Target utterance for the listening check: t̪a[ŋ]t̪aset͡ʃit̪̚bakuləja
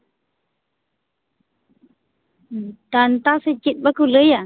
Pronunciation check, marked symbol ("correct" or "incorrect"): incorrect